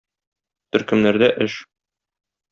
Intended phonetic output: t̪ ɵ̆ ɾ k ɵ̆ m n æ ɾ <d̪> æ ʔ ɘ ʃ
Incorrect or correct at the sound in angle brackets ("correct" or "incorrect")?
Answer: correct